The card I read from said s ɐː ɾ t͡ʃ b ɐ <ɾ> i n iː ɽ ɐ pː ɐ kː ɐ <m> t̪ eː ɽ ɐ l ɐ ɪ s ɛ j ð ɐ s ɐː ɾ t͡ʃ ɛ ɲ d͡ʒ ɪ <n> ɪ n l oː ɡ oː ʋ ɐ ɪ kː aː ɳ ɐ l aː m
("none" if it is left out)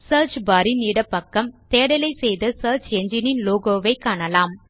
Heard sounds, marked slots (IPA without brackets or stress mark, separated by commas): ɾ, m, n